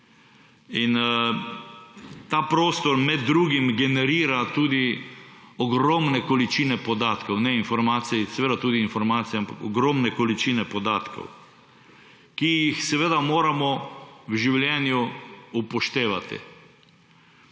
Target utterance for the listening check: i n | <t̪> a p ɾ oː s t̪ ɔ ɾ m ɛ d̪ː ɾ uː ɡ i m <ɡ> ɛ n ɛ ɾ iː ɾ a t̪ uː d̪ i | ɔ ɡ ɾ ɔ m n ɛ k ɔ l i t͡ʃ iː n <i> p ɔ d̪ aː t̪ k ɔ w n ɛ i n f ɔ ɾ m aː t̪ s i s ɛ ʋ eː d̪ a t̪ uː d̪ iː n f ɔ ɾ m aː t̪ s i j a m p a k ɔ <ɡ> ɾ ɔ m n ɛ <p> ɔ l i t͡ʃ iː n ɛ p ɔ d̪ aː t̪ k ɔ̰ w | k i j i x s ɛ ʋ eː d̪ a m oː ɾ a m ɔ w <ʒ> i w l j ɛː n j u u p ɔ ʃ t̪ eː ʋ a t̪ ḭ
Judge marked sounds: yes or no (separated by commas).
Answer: yes, yes, no, yes, no, yes